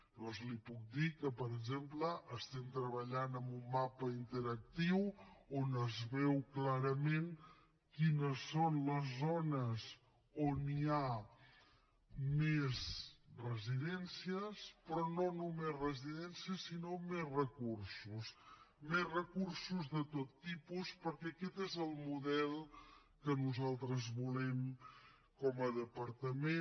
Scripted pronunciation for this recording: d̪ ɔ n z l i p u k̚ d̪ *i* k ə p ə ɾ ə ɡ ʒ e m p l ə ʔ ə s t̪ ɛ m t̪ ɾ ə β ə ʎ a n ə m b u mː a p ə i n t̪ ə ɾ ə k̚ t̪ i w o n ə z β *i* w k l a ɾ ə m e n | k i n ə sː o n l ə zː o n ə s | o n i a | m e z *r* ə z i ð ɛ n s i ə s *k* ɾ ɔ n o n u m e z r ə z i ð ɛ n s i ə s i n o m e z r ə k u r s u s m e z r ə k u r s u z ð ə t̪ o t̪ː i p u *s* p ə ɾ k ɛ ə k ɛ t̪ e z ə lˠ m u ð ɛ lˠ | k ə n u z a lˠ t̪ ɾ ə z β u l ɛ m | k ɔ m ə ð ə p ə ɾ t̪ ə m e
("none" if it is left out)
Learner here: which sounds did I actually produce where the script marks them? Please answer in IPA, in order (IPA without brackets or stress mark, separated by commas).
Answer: i, ɛ, r, p, s